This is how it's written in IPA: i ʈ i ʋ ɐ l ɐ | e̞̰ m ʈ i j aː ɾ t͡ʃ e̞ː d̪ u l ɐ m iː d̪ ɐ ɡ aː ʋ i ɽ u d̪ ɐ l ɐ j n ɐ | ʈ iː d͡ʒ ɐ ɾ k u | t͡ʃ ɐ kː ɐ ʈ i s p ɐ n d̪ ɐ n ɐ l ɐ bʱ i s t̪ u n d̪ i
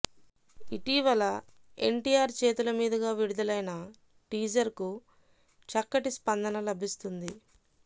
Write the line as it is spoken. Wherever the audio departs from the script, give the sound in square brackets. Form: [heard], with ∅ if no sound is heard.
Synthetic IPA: i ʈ i ʋ ɐ l ɐ | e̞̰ [ɳ] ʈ i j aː ɾ t͡ʃ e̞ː [t̪] u l ɐ m iː d̪ ɐ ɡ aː ʋ i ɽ u d̪ ɐ l ɐ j n ɐ | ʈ iː d͡ʒ ɐ ɾ k u | t͡ʃ ɐ kː ɐ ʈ i s p ɐ n d̪ ɐ n ɐ l ɐ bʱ i s t̪ u n d̪ i